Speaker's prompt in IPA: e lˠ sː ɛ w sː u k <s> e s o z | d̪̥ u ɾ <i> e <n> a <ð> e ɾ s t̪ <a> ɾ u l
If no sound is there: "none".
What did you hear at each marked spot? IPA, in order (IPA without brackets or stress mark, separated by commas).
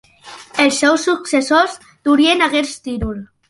s, i, n, ɣ, i